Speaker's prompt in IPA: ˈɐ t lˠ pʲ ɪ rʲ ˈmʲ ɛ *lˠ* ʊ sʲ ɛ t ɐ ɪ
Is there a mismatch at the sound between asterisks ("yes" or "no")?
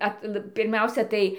yes